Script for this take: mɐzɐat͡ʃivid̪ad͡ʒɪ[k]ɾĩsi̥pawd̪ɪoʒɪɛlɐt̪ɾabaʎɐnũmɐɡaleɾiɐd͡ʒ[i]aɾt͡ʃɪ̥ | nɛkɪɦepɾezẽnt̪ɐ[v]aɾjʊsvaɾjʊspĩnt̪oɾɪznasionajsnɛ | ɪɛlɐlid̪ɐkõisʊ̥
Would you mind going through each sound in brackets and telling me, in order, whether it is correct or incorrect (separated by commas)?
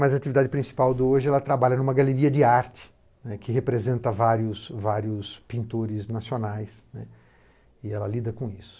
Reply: incorrect, incorrect, correct